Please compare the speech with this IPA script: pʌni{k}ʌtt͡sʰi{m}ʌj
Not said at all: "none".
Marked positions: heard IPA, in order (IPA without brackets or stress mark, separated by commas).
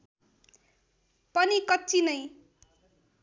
k, n